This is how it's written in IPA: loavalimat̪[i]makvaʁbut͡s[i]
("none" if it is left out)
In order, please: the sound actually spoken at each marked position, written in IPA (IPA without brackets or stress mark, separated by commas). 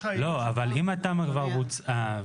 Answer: a, a